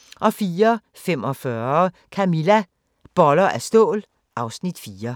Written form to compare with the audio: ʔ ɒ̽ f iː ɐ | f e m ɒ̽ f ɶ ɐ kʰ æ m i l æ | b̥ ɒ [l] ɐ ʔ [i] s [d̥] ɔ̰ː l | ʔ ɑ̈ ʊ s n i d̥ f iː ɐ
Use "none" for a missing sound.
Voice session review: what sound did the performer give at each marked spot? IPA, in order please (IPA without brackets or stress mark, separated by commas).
l, æ, d̥